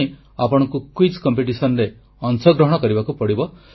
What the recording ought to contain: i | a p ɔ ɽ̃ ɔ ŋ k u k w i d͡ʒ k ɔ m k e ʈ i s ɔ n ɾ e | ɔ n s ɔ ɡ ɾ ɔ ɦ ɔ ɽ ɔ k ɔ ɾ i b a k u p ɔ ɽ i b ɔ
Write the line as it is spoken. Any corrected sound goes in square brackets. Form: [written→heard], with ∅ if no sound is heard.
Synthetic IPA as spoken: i | a p ɔ ɽ̃ ɔ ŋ k u k w i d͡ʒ k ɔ m [k→p] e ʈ i s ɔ n ɾ e | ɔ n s ɔ ɡ ɾ ɔ ɦ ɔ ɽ ɔ k ɔ ɾ i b a k u p ɔ ɽ i b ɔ